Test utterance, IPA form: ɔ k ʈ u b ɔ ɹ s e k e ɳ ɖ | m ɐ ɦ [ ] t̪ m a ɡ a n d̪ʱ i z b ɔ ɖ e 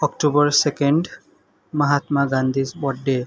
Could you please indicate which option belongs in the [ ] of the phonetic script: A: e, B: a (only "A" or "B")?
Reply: B